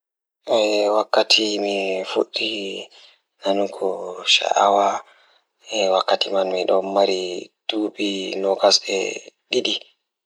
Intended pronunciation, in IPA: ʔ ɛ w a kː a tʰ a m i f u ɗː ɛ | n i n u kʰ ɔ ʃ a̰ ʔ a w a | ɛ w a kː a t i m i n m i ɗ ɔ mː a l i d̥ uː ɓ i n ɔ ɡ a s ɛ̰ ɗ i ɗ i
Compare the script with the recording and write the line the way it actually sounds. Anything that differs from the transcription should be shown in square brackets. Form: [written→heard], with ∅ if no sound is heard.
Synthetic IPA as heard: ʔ ɛ w a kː a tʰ [a→i] m i f u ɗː [ɛ→i] | n [i→a] n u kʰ ɔ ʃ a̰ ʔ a w a | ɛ w a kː a t i m [i→a] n m i ɗ ɔ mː a [l→ɾ] i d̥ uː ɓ i n ɔ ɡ a s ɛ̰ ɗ i ɗ i